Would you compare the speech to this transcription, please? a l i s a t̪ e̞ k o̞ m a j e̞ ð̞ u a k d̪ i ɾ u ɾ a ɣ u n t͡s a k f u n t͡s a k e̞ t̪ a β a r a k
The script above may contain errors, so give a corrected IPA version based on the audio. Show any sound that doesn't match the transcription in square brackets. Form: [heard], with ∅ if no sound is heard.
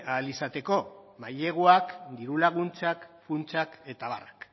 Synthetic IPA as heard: a l i s a t̪ e̞ k o̞ m a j e̞ [ɣ̞] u a k d̪ i ɾ u [l] a ɣ u n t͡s a k f u n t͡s a k e̞ t̪ a β a r a k